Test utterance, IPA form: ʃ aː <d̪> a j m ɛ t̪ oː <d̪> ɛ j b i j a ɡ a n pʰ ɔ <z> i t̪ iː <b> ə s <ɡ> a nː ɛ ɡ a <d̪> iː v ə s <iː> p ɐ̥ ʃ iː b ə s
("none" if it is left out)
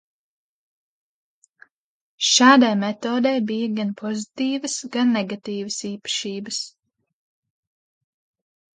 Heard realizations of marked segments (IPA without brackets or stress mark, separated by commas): d̪, d̪, z, v, ɡ, t̪, iː